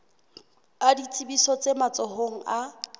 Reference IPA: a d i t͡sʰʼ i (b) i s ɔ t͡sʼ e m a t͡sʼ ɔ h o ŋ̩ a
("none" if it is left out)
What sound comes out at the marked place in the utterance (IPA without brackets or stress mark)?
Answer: b